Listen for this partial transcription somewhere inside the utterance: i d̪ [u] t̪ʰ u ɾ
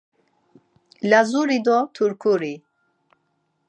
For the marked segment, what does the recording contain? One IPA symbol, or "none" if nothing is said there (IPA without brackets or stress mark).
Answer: ɔ